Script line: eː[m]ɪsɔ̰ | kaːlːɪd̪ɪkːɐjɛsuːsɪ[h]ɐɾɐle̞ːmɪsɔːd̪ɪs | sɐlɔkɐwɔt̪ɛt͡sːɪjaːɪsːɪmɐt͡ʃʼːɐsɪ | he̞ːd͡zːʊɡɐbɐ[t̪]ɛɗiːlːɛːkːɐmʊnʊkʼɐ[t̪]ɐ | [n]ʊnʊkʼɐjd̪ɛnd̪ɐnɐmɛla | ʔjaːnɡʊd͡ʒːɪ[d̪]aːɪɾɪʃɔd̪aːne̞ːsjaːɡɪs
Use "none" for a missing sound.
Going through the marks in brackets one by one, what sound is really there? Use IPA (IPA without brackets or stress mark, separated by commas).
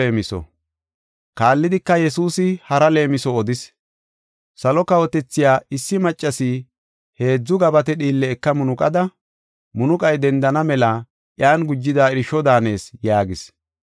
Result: m, h, t̪, d̪, m, d̪